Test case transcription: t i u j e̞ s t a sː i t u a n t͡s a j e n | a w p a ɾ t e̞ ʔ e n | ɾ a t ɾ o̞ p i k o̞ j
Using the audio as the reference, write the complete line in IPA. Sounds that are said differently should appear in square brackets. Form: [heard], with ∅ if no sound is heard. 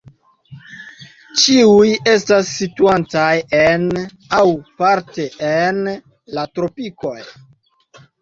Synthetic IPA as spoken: [t͡ʃ] i u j e̞ s t a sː i t u a n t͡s a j e n | a w p a ɾ t e̞ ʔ e n | [l] a t ɾ o̞ p i k o̞ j